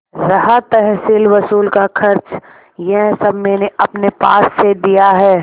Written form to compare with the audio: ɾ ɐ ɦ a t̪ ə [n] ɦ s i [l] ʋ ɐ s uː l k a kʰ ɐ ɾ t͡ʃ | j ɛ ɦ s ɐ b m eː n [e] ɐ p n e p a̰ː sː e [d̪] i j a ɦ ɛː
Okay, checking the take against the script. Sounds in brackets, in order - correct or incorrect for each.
incorrect: none, correct, correct, correct

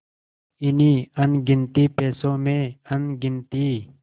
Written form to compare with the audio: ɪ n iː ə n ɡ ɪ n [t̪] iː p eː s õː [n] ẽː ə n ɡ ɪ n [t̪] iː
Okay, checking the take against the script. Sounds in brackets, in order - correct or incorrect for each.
correct, incorrect: m, correct

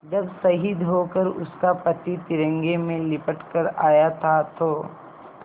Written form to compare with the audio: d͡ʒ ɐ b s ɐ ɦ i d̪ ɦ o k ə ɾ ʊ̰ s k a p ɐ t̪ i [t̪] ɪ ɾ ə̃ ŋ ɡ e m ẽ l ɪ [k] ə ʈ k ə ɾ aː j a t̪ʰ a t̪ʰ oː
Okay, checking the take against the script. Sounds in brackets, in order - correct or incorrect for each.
correct, incorrect: p

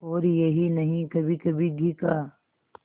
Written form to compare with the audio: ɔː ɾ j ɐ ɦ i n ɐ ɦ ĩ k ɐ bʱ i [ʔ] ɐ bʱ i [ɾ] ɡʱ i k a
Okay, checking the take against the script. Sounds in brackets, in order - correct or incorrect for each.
incorrect: k, incorrect: none

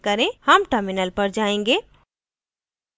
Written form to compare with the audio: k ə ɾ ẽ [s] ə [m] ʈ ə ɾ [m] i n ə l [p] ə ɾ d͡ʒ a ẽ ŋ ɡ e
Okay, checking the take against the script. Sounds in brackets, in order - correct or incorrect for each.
incorrect: h, correct, correct, correct

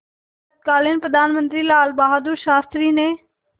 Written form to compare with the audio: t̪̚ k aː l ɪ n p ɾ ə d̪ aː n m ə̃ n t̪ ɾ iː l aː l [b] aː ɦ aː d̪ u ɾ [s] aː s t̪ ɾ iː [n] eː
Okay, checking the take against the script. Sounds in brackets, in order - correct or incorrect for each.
correct, incorrect: ʃ, correct

